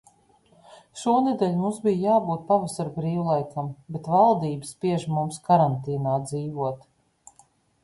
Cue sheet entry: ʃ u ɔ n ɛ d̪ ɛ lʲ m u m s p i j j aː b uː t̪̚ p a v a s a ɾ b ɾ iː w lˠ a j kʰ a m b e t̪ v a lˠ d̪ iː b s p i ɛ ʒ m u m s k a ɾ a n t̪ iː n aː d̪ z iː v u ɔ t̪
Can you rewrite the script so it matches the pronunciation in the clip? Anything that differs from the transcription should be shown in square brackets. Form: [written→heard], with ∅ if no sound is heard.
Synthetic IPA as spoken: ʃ u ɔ n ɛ d̪ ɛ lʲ m u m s [p→b] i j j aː b uː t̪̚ p a v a s a ɾ b ɾ iː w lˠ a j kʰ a m b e t̪ v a lˠ d̪ iː b s p i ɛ ʒ m u m s k a ɾ a n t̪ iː n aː d̪ z iː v u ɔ t̪

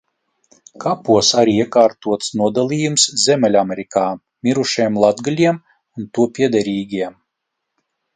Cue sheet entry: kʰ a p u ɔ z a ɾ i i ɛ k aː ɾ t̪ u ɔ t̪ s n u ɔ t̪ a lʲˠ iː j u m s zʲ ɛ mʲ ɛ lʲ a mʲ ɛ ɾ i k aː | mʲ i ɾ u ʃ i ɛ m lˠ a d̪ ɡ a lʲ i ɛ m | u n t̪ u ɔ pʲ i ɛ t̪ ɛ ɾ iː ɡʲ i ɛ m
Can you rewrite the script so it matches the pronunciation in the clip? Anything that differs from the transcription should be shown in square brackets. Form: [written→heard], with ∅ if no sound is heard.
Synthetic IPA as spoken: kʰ a p u ɔ [z→s] a ɾ i i ɛ k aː ɾ t̪ u ɔ t̪ s n u ɔ [t̪→d̪] a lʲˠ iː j u m s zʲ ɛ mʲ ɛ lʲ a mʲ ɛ ɾ i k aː | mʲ i ɾ u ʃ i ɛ m lˠ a d̪ ɡ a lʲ i ɛ m | u n t̪ u ɔ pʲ i ɛ [t̪→d̪] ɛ ɾ iː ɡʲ i ɛ m

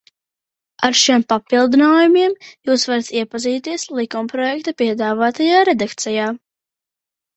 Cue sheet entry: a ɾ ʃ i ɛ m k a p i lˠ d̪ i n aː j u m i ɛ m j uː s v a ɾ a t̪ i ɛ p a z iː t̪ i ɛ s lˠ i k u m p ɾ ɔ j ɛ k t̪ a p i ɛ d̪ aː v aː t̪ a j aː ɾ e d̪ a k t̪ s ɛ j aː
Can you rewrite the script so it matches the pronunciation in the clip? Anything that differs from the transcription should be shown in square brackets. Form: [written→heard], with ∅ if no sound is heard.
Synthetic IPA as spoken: a ɾ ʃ i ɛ m [k→p] a p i lˠ d̪ i n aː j u m i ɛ m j uː s v a ɾ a t̪ i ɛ p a z iː t̪ i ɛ s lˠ i k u m p ɾ ɔ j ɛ k t̪ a p i ɛ d̪ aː v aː t̪ a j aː ɾ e d̪ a k t̪ s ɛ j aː

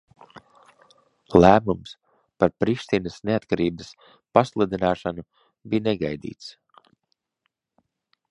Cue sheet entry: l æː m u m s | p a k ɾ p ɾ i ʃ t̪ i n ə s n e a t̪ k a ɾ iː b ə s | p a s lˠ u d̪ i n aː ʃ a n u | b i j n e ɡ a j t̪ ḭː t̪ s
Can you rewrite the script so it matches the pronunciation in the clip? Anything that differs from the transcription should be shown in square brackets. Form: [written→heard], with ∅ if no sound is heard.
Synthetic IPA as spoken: l æː m u m s | p a [k→∅] ɾ p ɾ i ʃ t̪ i n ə s n e a t̪ k a ɾ iː b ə s | p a s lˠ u d̪ i n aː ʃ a n u | b i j n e ɡ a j [t̪→d̪] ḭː t̪ s

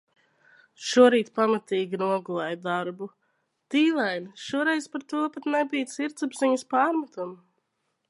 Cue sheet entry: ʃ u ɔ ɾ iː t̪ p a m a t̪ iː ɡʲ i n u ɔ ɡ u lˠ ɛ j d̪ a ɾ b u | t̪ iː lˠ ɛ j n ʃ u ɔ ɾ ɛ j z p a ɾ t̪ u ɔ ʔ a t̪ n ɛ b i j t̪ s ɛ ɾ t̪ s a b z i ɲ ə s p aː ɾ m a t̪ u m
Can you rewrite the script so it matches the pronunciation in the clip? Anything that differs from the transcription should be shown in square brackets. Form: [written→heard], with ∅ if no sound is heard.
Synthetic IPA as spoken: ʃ u ɔ ɾ iː t̪ p a m a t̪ iː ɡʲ i n u ɔ ɡ u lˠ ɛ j d̪ a ɾ b u | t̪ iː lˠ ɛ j n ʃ u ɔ ɾ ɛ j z p a ɾ t̪ u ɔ [ʔ→p] a t̪ n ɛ b i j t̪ s [ɛ→i] ɾ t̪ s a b z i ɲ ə s p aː ɾ m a t̪ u m

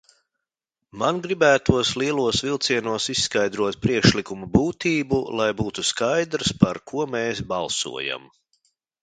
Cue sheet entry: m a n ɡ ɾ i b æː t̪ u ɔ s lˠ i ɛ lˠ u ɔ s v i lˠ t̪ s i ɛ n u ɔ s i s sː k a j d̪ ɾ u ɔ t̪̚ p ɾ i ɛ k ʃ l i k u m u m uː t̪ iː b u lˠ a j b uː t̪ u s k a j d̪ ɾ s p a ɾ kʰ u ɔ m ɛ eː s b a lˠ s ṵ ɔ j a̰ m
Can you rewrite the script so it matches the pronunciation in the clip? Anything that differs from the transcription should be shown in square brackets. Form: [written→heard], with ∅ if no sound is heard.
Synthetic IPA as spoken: m a n ɡ ɾ i b æː t̪ u ɔ s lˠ i ɛ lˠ u ɔ s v i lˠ t̪ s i ɛ n u ɔ s i s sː k a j d̪ ɾ u ɔ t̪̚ p ɾ i ɛ k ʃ l i k u m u [m→b] uː t̪ iː b u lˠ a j b uː t̪ u s k a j d̪ ɾ s p a ɾ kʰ u ɔ m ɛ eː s b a lˠ s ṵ ɔ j a̰ m

